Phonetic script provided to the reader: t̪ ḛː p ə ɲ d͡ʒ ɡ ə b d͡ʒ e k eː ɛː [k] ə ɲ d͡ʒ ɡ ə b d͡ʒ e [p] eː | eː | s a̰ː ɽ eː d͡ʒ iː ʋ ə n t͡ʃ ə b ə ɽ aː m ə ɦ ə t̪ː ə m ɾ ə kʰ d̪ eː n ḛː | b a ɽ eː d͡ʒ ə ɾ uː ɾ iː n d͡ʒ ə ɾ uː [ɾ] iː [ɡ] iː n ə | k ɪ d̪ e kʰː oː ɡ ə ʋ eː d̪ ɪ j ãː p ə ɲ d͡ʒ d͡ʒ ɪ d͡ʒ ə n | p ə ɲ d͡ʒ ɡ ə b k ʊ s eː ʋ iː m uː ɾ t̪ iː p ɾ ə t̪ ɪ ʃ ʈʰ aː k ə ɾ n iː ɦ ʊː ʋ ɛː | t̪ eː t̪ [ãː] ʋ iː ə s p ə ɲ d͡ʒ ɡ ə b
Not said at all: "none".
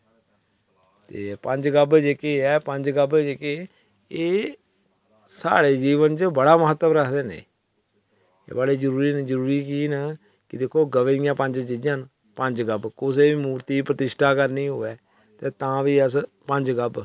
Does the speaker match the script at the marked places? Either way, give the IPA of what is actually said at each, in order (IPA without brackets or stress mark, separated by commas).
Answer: p, k, ɾ, k, ãː